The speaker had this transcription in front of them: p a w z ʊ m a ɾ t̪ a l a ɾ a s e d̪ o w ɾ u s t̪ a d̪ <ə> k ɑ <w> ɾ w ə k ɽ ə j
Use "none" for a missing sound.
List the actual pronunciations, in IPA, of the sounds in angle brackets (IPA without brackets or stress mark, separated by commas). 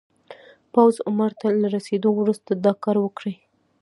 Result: ɑ, none